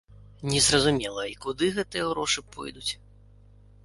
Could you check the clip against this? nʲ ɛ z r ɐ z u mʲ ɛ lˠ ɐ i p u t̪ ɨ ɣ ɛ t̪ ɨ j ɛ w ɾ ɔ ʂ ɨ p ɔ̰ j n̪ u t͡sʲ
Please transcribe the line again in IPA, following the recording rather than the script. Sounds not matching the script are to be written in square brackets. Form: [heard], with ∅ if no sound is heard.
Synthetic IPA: nʲ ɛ z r ɐ z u mʲ ɛ lˠ ɐ i [k] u [d̪] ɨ ɣ ɛ t̪ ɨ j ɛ [ɣ] ɾ ɔ ʂ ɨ p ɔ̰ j [d̪] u t͡sʲ